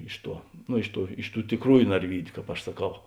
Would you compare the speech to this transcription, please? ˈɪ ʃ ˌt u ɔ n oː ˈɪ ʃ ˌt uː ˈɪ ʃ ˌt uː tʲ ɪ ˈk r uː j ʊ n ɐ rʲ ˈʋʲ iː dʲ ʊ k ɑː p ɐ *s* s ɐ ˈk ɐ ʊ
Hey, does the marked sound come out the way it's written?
no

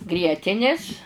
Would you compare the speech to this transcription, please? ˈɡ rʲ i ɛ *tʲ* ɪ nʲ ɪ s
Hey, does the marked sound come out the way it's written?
yes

